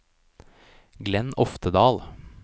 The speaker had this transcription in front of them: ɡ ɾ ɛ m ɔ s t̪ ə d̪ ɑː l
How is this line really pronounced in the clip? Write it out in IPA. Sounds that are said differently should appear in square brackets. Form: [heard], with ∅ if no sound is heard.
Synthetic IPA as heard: ɡ [l] ɛ [n] ɔ [f] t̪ ə d̪ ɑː l

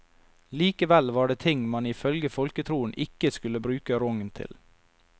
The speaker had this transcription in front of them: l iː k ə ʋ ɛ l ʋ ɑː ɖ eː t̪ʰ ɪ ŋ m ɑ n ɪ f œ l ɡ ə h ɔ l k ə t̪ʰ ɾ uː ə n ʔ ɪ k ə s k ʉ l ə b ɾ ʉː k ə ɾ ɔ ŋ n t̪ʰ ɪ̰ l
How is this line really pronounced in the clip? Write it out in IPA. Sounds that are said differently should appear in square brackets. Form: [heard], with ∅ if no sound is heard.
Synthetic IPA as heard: l iː k ə ʋ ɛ l ʋ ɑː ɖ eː t̪ʰ ɪ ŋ m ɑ n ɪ f œ l ɡ ə [f] ɔ l k ə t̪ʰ ɾ uː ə n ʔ ɪ k ə s k ʉ l ə b ɾ ʉː k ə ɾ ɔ ŋ n t̪ʰ ɪ̰ l

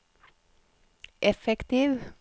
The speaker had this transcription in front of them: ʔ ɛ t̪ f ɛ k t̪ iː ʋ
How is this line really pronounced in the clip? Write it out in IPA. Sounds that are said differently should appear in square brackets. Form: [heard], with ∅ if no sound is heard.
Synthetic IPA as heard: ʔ ɛ [∅] f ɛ k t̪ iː ʋ

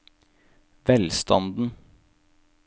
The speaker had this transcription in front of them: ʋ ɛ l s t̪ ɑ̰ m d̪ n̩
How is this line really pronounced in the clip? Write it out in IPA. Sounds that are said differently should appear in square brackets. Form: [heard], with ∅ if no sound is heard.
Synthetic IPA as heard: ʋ ɛ l s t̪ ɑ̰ [n] d̪ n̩

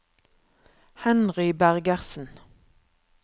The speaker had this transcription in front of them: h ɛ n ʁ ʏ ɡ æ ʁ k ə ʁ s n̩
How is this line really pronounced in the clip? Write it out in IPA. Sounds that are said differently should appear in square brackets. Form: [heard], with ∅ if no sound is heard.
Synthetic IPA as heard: h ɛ n ʁ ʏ [b] æ ʁ [ɡ] ə ʁ s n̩

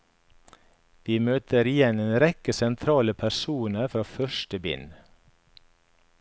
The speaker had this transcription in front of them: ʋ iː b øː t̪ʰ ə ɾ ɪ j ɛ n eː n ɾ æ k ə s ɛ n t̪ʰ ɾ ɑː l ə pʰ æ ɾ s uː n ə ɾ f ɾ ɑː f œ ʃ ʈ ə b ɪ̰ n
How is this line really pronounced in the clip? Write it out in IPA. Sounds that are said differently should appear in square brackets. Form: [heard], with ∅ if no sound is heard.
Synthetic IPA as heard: ʋ iː [m] øː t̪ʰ ə ɾ ɪ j ɛ n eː n ɾ [ɛ] k ə s ɛ n t̪ʰ ɾ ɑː l ə pʰ æ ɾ s uː n ə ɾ f ɾ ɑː f œ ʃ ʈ ə b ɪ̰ n

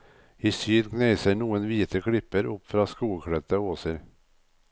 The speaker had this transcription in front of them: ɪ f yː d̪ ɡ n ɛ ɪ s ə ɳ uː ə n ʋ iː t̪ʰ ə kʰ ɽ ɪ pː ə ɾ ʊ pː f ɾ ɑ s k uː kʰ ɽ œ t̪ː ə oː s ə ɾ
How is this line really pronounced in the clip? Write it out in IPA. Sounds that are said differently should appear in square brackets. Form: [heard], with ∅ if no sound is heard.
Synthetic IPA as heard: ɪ [s] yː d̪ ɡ n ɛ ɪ s ə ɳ uː ə n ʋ iː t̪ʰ ə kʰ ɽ ɪ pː ə ɾ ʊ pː f ɾ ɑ s k uː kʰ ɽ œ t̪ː ə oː s ə ɾ

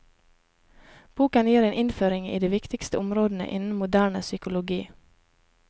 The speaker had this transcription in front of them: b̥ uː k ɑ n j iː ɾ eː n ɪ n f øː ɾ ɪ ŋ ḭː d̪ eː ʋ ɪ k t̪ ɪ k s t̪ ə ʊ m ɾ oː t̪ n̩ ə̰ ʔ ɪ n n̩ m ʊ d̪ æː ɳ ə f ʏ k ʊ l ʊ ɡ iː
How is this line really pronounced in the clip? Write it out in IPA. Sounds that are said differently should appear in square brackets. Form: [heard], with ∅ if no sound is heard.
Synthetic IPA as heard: b̥ uː k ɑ n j iː ɾ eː n ɪ n f øː ɾ ɪ ŋ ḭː d̪ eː ʋ ɪ k t̪ ɪ k s t̪ ə ʊ m ɾ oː [d̪] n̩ ə̰ ʔ ɪ n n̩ m ʊ d̪ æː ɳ ə [s] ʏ k ʊ l ʊ ɡ iː

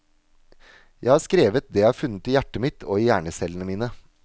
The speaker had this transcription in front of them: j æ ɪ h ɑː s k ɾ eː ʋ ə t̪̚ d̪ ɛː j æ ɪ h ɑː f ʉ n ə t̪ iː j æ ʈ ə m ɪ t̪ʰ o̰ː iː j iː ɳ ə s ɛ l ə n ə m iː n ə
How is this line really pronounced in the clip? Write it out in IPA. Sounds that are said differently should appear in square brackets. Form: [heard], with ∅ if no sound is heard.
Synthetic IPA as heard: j æ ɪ h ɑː s k ɾ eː ʋ ə t̪̚ d̪ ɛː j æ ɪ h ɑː f ʉ n ə t̪ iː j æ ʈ ə m ɪ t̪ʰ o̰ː iː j [æː] ɳ ə s ɛ l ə n ə m iː n ə

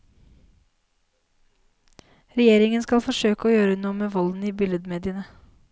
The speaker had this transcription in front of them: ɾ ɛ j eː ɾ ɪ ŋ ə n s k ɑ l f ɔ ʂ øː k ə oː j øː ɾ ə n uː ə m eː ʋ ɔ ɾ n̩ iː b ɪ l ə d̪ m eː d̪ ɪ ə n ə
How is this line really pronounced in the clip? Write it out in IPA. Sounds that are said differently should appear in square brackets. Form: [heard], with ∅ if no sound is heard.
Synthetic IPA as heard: ɾ ɛ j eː ɾ ɪ ŋ ə n s k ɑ l f ɔ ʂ øː k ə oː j øː ɾ ə n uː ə m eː ʋ ɔ [l] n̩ iː b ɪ l ə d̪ m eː d̪ ɪ ə n ə

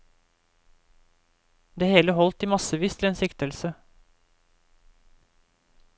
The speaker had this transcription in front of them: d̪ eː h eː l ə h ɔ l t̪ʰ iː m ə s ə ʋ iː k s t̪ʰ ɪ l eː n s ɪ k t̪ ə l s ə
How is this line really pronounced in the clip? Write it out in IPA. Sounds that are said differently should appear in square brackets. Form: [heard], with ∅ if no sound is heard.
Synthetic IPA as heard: d̪ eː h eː l ə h ɔ l [t̪] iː m [ɑ] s ə ʋ iː [∅] s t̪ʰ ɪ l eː n s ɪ k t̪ ə l s ə

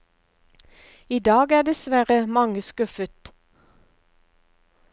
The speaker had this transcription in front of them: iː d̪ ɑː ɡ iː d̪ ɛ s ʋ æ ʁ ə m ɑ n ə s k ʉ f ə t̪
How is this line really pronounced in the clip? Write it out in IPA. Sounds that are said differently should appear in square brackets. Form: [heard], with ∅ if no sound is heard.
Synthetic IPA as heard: iː d̪ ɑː ɡ [æː] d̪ ɛ s ʋ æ ʁ ə m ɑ [ŋ] ə s k ʉ f ə t̪

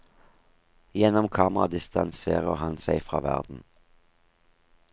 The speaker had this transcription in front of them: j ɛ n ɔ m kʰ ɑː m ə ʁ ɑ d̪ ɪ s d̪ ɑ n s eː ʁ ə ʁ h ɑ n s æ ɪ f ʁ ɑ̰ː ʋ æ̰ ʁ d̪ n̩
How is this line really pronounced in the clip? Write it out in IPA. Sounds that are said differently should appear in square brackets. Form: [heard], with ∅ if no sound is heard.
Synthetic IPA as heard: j ɛ n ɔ m kʰ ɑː m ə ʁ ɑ d̪ ɪ s [t̪] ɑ n s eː ʁ ə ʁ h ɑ n s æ ɪ f ʁ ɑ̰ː ʋ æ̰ ʁ d̪ n̩

